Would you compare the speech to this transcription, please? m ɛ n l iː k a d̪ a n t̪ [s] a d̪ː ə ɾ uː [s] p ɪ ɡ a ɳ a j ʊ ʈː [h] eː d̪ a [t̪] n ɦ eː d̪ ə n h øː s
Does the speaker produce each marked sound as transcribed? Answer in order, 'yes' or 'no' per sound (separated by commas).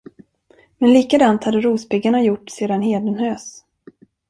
no, yes, no, no